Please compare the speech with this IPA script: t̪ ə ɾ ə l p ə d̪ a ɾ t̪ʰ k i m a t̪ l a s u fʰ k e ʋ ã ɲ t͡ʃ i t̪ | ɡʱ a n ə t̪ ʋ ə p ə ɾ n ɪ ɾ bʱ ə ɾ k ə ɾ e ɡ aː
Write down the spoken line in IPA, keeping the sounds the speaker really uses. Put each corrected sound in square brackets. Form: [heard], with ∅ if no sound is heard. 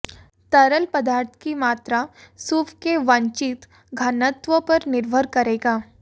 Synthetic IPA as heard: t̪ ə ɾ ə l p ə d̪ a ɾ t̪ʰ k i m a t̪ [ɾ] a s u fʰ k e ʋ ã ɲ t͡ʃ i t̪ | ɡʱ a n ə t̪ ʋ ə p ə ɾ n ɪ ɾ bʱ ə ɾ k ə ɾ e ɡ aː